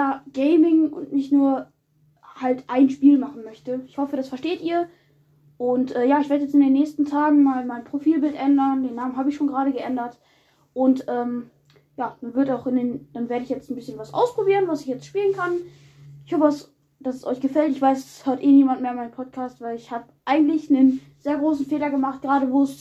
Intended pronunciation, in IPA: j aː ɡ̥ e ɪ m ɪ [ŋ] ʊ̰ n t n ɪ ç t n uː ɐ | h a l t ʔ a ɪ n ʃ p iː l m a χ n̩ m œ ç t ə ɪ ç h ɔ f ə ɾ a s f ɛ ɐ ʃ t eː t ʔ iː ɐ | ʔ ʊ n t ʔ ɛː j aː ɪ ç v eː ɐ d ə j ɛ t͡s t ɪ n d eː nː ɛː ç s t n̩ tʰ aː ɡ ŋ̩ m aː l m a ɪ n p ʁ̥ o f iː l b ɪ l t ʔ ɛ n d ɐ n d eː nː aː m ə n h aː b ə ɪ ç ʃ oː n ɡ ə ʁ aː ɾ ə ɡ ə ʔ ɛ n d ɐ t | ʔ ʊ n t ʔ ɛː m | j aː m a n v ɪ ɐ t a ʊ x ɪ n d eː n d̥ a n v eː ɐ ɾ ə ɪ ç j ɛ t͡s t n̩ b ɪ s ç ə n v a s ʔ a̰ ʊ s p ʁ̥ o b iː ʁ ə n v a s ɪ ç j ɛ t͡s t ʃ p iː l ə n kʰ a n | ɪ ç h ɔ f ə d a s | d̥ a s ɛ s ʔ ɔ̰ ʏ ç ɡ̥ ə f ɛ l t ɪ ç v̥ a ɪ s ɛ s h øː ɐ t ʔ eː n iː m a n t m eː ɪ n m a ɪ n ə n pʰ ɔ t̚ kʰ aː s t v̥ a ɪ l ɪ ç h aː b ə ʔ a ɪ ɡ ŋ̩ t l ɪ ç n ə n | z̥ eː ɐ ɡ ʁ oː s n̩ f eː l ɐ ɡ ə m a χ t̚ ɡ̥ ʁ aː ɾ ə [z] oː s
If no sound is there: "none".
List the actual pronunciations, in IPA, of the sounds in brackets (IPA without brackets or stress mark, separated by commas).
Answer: ŋ, v